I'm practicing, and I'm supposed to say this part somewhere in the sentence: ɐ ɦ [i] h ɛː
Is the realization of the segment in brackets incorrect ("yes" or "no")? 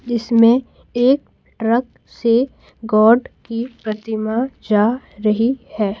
no